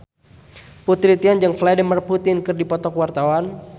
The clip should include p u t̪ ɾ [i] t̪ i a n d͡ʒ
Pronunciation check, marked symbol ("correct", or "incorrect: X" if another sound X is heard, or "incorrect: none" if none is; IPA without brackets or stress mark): correct